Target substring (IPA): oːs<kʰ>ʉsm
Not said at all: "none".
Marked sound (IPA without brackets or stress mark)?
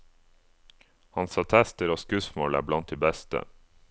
k